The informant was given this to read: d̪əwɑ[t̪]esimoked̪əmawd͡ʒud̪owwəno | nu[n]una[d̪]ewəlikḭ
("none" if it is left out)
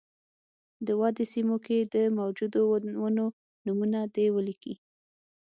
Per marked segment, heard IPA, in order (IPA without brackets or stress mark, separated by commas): d̪, m, d̪